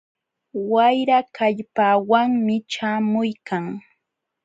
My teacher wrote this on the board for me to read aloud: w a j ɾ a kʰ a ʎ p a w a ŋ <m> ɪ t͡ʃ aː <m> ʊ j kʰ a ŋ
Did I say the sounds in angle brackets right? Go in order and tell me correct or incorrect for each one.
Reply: correct, correct

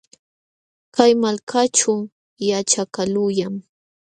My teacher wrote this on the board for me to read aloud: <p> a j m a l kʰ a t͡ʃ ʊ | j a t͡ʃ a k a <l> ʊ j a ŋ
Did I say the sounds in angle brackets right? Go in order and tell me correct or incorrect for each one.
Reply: incorrect, correct

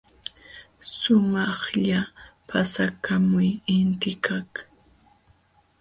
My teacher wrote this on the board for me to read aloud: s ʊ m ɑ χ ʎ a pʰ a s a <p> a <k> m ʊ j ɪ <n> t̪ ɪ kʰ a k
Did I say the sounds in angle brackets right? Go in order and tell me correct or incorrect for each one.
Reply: incorrect, incorrect, correct

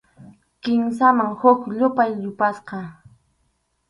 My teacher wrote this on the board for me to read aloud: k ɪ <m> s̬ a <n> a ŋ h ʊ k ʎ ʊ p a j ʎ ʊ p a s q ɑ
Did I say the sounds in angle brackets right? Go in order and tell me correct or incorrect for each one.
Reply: correct, incorrect

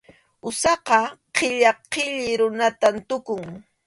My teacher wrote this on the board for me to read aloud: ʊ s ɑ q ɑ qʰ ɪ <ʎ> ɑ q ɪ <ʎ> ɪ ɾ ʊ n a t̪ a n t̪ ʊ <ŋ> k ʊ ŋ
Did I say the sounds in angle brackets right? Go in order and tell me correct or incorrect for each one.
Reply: correct, correct, incorrect

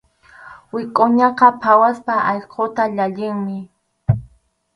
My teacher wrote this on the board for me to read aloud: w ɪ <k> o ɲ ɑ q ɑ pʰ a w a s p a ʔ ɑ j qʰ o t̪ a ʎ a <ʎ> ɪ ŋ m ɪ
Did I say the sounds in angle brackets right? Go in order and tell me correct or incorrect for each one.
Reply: incorrect, correct

